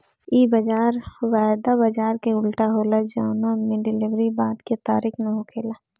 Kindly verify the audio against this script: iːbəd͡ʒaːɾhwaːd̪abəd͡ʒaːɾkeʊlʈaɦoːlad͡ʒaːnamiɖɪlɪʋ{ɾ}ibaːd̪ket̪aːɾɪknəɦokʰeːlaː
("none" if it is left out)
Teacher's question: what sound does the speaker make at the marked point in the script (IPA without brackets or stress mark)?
ɾ